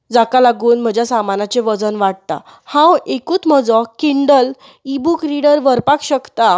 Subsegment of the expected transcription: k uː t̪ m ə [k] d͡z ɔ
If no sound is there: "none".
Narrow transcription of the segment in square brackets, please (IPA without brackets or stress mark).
none